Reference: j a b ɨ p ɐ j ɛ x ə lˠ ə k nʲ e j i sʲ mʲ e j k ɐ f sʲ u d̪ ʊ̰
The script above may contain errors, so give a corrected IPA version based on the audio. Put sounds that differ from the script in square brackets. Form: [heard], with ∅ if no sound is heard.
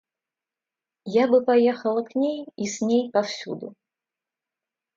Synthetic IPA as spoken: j a b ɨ p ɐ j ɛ x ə lˠ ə k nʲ e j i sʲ [nʲ] e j [p] ɐ f sʲ u d̪ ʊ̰